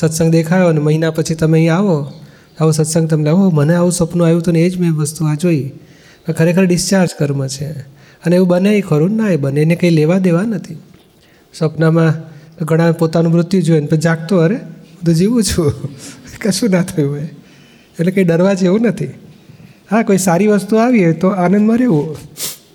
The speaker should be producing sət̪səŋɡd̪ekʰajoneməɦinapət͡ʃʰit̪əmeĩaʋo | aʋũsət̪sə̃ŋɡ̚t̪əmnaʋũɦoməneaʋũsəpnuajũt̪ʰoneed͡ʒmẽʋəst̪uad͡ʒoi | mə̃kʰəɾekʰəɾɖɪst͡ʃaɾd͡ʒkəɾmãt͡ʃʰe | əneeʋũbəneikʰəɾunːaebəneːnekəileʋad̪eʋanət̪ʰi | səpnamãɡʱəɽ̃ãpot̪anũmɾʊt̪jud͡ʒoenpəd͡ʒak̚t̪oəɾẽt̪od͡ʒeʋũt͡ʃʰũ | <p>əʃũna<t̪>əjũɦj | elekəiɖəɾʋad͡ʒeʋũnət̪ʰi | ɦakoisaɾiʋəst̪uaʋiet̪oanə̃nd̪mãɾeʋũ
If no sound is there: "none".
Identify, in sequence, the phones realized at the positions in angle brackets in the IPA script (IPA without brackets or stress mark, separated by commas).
k, t̪ʰ